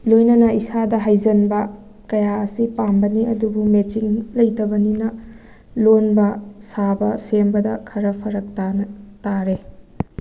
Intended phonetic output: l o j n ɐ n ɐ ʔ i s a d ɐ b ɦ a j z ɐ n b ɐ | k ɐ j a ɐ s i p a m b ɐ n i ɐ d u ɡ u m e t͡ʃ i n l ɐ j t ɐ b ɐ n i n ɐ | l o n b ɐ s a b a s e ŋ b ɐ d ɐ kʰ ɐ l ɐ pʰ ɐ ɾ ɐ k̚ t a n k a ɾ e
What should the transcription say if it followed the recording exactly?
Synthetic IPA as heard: l o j n ɐ n ɐ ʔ i s a d ɐ ɦ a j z ɐ n b ɐ | k ɐ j a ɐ s i p a m b ɐ n i ɐ d u b u m e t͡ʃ i n l ɐ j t ɐ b ɐ n i n ɐ | l o n b ɐ s a b ɐ s e m b ɐ d ɐ kʰ ɐ ɾ ɐ pʰ ɐ ɾ ɐ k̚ t a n t a ɾ e